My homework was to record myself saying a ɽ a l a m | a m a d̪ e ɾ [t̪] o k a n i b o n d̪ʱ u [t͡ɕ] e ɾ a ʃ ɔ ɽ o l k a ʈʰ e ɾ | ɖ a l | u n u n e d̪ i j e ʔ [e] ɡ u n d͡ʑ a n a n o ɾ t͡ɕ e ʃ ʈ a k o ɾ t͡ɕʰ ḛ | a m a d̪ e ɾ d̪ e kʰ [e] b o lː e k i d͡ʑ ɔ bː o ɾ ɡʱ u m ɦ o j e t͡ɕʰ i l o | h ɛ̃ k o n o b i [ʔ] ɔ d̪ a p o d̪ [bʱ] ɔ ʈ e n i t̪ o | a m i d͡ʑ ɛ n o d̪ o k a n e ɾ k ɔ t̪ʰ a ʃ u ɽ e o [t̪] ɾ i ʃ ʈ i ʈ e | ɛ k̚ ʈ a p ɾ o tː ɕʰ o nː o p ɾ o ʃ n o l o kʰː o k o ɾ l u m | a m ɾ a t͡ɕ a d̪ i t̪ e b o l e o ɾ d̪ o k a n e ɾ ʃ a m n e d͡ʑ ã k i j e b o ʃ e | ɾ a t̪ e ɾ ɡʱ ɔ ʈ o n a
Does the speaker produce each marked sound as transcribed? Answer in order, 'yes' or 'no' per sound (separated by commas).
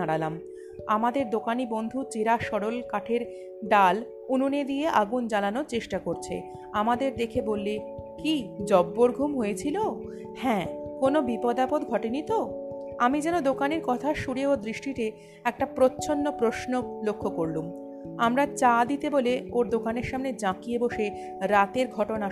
no, yes, no, yes, no, no, no